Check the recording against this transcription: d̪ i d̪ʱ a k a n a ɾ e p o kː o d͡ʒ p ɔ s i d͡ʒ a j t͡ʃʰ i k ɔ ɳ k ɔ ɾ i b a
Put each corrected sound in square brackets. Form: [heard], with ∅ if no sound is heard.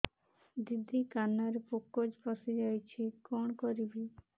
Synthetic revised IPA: d̪ i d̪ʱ [i] k a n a ɾ e p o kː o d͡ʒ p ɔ s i d͡ʒ a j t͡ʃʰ i k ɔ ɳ k ɔ ɾ i b [i]

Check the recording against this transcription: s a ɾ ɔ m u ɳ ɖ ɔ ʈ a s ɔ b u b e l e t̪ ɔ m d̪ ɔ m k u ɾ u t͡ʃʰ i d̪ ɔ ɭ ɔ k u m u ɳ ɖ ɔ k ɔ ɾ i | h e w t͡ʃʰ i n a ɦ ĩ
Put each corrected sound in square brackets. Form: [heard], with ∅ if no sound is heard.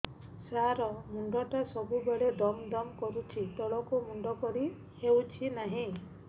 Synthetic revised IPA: s a ɾ ɔ m u ɳ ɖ ɔ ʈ a s ɔ b u b e [ɭ] e [d̪] ɔ m d̪ ɔ m k [ɔ] ɾ u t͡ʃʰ i [t̪] ɔ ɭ ɔ k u m u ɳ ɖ ɔ k ɔ ɾ i | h e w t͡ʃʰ i n a ɦ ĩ

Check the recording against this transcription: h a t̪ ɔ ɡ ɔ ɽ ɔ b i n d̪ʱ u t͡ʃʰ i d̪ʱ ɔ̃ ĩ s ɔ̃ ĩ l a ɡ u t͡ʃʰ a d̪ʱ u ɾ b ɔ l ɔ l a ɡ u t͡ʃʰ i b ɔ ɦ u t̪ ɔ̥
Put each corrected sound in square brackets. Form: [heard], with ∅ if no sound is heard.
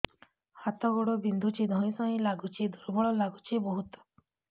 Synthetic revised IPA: h a t̪ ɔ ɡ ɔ ɽ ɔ b i n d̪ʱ u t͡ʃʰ i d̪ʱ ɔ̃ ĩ s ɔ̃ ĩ l a ɡ u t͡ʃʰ [i] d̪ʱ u ɾ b ɔ [ɭ] ɔ l a ɡ u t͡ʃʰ i b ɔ ɦ u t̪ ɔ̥

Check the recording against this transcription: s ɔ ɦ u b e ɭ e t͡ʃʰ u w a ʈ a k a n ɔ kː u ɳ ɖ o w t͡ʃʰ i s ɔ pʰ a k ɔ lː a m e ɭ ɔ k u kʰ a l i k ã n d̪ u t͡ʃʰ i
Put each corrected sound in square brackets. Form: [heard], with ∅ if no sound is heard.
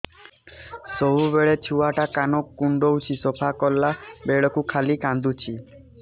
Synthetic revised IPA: s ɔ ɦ u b e ɭ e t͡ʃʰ u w a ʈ a k a n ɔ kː u ɳ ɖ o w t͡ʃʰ i s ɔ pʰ a k ɔ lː a [b] e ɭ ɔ k u kʰ a l i k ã n d̪ u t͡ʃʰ i

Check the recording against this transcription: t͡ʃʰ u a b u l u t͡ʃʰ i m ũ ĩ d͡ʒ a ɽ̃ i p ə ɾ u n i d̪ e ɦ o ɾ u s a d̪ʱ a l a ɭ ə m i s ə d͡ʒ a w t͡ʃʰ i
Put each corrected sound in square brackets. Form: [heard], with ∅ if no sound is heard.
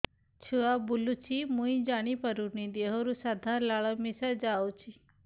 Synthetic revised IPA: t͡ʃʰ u a b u l u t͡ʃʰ i m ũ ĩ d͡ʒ a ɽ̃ i p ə ɾ u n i d̪ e ɦ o ɾ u s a d̪ʱ a l a ɭ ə m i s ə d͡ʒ a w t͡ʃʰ i

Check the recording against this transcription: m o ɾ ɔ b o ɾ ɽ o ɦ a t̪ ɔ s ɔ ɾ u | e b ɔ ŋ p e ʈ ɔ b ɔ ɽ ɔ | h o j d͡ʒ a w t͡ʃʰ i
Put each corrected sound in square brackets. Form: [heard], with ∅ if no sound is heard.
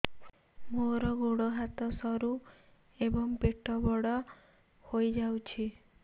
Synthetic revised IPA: m o ɾ ɔ [ɡ] o [∅] ɽ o ɦ a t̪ ɔ s ɔ ɾ u | e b ɔ ŋ p e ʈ ɔ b ɔ ɽ ɔ | h o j d͡ʒ a w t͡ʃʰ i

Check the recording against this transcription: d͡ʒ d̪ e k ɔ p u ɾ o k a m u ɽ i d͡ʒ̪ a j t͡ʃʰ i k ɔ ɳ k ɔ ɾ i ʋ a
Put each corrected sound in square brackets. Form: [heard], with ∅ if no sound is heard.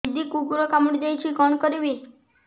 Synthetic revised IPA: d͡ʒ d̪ [i] k [u] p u ɾ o k a m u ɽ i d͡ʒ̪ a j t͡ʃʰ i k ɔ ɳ k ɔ ɾ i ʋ [i]

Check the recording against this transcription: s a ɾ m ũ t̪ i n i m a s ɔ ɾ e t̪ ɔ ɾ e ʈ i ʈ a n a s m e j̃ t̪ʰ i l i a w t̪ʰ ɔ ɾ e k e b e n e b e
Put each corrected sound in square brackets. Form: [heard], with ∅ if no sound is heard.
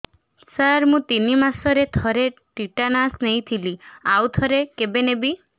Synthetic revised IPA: s a ɾ m ũ t̪ i n i m a s ɔ ɾ e [t̪ʰ] ɔ ɾ e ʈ i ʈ a n a s [n] e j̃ t̪ʰ i l i a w t̪ʰ ɔ ɾ e k e b e n e b [i]

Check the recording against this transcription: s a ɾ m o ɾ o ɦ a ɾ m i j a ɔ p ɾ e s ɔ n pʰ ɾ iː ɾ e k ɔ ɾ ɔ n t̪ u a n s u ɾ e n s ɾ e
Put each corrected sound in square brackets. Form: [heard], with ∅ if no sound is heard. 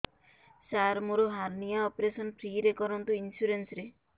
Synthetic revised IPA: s a ɾ m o ɾ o ɦ a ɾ [n] i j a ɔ p ɾ e s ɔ n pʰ ɾ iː ɾ e k ɔ ɾ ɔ n t̪ u [i] n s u ɾ e n s ɾ e

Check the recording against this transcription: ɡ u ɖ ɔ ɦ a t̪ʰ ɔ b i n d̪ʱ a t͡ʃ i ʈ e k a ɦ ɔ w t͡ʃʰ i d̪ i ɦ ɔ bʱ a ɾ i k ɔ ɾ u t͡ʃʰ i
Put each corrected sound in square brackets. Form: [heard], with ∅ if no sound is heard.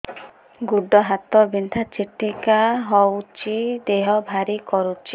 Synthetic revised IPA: ɡ u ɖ ɔ ɦ a [t̪] ɔ b i n d̪ʱ a t͡ʃ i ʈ [i] k a ɦ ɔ w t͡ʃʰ i d̪ [e] ɦ ɔ bʱ a ɾ i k ɔ ɾ u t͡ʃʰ i

